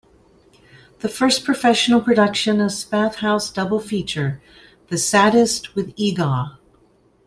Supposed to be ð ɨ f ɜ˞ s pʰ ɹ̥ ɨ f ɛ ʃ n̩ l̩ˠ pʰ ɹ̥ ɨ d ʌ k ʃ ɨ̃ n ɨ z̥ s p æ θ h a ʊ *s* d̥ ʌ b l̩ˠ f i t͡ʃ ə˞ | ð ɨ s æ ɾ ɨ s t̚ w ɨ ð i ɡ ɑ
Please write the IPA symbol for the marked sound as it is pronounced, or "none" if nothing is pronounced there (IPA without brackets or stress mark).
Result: s